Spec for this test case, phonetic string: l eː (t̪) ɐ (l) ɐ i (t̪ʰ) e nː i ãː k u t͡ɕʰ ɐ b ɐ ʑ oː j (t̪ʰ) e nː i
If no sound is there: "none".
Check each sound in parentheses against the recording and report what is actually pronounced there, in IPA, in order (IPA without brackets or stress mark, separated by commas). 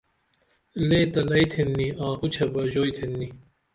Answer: t̪, l, t̪ʰ, t̪ʰ